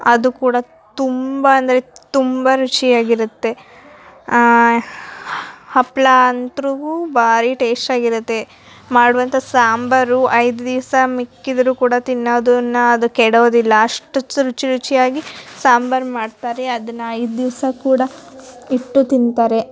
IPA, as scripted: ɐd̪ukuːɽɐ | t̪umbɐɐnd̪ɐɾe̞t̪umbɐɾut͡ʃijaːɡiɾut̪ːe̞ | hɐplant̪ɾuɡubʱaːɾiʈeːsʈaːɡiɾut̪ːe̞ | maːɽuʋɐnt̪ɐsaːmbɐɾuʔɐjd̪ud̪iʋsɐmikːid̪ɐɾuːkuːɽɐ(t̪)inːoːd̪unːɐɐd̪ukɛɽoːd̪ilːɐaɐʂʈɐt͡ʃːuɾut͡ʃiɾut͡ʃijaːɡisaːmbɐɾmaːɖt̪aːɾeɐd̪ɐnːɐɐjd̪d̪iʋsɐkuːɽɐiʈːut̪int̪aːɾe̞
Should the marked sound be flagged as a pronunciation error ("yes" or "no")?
no